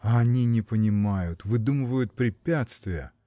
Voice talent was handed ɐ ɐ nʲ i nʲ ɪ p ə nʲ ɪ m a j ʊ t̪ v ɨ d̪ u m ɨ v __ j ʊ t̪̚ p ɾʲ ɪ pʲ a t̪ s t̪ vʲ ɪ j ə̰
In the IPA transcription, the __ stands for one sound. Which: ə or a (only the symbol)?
ə